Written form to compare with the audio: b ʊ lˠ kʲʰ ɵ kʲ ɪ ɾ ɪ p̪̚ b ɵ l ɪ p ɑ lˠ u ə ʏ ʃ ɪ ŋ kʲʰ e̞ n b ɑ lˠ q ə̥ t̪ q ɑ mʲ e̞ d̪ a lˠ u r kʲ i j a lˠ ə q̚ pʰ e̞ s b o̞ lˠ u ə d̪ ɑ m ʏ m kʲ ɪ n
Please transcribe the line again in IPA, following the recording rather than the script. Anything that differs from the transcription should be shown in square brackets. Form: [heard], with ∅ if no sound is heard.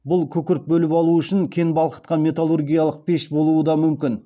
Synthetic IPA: b ʊ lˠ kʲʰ ɵ kʲ ɪ ɾ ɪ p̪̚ b ɵ l ɪ p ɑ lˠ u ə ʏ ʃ ɪ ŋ kʲʰ e̞ n b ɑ lˠ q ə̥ t̪ q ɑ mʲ e̞ [t̪] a lˠ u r [ɡʲ] i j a lˠ ə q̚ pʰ e̞ [ʃ] b o̞ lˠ u ə d̪ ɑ m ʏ m kʲ ɪ n